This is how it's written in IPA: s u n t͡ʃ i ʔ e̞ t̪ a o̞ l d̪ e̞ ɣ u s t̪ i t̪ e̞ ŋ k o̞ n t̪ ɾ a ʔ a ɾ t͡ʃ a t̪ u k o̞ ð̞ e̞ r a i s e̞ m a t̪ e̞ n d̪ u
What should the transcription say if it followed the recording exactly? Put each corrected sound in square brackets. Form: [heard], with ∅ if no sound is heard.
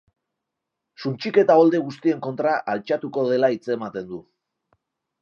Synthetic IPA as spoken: s u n t͡ʃ i [k] e̞ t̪ a o̞ l d̪ e̞ ɣ u s t̪ i [∅] e̞ ŋ k o̞ n t̪ ɾ a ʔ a [l] t͡ʃ a t̪ u k o̞ ð̞ e̞ [l] a i [t͡s] e̞ m a t̪ e̞ n d̪ u

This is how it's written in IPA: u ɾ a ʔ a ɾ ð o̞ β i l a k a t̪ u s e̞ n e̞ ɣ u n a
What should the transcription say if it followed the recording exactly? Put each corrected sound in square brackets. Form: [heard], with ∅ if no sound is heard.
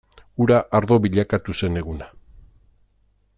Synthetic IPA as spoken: u ɾ a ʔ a ɾ ð o̞ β i [ʎ] a k a t̪ u s e̞ n e̞ ɣ u n a

